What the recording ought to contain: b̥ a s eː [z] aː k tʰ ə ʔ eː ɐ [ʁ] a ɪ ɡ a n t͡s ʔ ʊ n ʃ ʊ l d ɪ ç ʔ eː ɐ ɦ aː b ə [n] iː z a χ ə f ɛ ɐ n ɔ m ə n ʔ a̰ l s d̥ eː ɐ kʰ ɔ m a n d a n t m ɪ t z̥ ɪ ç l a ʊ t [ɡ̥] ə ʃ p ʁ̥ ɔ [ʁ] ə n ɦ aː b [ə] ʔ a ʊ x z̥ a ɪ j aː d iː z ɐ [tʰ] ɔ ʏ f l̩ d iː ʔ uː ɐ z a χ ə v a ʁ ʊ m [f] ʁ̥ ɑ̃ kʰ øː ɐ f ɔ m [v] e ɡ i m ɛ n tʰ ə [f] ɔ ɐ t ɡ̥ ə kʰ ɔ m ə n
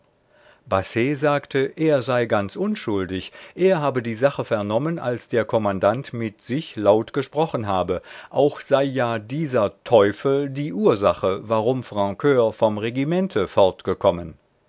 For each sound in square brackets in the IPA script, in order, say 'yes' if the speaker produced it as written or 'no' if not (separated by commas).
yes, no, no, yes, no, yes, yes, yes, no, yes